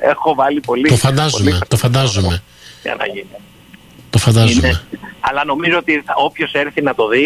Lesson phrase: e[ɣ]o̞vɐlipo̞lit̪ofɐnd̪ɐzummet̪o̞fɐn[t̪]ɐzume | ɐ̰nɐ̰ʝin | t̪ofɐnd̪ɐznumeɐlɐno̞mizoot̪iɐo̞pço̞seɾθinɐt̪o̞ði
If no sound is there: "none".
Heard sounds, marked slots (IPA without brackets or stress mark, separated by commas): x, d̪